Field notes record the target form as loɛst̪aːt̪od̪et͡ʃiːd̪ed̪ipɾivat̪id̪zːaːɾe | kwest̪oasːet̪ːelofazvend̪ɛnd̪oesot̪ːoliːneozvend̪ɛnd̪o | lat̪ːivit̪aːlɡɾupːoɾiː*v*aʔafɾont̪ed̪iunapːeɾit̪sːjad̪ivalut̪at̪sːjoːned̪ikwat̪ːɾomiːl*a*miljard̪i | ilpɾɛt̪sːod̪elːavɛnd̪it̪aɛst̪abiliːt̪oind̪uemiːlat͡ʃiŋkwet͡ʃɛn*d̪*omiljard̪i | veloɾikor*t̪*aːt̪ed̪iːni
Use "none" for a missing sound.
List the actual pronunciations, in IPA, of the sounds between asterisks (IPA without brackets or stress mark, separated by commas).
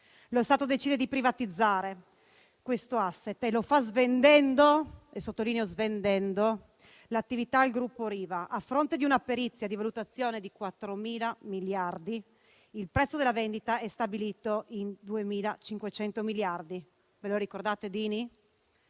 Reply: v, a, t̪, d̪